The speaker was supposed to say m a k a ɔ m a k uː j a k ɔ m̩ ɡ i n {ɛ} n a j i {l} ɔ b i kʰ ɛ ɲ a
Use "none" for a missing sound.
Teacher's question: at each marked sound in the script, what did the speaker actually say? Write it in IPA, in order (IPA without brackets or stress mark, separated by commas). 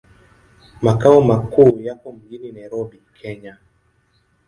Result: i, ɾ